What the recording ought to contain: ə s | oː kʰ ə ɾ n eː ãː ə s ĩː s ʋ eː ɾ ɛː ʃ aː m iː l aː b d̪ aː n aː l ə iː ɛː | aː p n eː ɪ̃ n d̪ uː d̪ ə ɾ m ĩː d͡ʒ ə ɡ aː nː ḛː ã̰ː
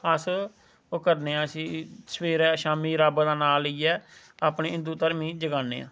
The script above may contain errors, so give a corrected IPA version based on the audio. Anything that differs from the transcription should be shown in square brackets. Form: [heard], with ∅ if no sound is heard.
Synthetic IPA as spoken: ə s | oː [k] ə ɾ n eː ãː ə s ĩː s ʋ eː ɾ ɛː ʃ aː m iː [ɾ] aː b d̪ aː n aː l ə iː ɛː | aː p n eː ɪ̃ n d̪ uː [t̪] ə ɾ m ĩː d͡ʒ ə ɡ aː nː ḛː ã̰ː